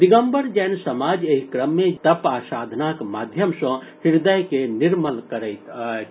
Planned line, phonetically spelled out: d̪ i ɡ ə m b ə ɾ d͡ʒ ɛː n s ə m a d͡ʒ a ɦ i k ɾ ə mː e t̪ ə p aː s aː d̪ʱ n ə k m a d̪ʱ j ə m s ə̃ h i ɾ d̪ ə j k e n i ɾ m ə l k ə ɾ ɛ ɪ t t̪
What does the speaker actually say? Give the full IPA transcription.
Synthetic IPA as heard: d̪ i ɡ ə m b ə ɾ d͡ʒ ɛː n s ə m a d͡ʒ e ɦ i k ɾ ə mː e t̪ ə p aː s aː d̪ʱ n a k m a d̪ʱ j ə m s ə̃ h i ɾ d̪ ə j k e n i ɾ m ə l k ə ɾ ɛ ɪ t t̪